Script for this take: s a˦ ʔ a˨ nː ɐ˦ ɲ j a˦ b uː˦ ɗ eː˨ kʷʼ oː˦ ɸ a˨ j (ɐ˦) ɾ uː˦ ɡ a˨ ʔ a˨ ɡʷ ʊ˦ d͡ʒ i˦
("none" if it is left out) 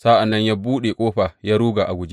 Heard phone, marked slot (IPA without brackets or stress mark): a˦